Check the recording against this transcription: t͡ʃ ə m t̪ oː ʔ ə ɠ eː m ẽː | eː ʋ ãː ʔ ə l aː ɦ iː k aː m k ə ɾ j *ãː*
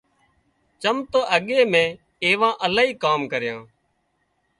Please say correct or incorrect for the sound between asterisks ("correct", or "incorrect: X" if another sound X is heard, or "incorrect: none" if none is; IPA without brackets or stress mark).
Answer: correct